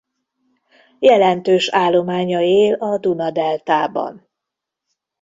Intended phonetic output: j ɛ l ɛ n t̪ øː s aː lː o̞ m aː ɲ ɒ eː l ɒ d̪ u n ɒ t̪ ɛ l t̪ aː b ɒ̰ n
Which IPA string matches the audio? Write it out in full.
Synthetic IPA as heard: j ɛ l ɛ n t̪ øː ʃ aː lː o̞ m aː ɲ ɒ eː l ɒ d̪ u n ɒ d̪ ɛ l t̪ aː b ɒ̰ n

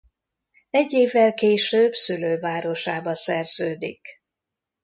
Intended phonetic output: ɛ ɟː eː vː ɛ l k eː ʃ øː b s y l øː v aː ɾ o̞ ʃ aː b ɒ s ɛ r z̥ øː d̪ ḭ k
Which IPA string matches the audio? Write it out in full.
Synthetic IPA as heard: ɛ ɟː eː vː ɛ l k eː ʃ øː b s y l øː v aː ɾ o̞ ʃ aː b ɒ s ɛ r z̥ øː d̪ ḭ k

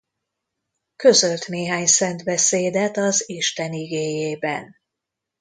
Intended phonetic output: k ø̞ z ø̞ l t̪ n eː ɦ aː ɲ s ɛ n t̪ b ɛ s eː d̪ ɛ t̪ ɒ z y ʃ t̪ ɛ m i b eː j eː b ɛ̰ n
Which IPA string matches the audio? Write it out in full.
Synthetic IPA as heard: k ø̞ z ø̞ l t̪ n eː ɦ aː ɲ s ɛ n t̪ b ɛ s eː d̪ ɛ t̪ ɒ z i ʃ t̪ ɛ n i ɡ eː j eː b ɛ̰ n

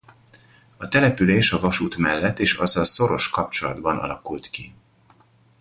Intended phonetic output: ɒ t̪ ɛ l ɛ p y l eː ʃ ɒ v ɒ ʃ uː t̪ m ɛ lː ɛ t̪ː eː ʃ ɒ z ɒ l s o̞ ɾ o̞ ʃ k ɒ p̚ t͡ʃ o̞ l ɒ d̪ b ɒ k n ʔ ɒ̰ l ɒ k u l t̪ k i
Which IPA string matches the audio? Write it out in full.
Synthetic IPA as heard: ɒ t̪ ɛ l ɛ p y l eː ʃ ɒ v ɒ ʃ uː t̪ m ɛ lː ɛ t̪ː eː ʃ ɒ z ɒ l s o̞ ɾ o̞ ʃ k ɒ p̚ t͡ʃ o̞ l ɒ d̪ b ɒ n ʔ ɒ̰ l ɒ k u l t̪ k i

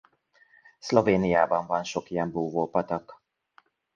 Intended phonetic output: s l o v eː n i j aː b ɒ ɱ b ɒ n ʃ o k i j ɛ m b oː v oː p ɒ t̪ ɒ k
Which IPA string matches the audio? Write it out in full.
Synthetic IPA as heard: s l o v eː n i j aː b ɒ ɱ v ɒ n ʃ o k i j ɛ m b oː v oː p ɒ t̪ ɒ k

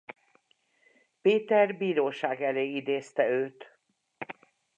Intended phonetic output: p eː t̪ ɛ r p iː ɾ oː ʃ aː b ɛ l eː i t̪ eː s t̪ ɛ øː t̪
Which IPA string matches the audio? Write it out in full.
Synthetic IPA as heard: p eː t̪ ɛ r b iː ɾ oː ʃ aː ɡ ɛ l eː i d̪ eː s t̪ ɛ øː t̪

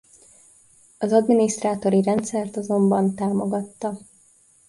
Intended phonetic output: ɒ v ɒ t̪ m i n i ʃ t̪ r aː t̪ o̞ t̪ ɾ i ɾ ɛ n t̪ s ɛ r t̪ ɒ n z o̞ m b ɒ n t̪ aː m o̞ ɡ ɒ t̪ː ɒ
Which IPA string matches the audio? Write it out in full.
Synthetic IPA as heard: ɒ z ɒ d̪ m i n i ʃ t̪ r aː t̪ o̞ ɾ i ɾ ɛ n t̪ s ɛ r t̪ ɒ z o̞ m b ɒ n t̪ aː m o̞ ɡ ɒ t̪ː ɒ

